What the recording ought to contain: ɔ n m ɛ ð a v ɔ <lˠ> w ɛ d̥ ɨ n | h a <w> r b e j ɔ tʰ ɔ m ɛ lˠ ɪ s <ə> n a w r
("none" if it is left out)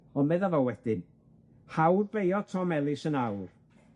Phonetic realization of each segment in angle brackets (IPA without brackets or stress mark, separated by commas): none, w, ə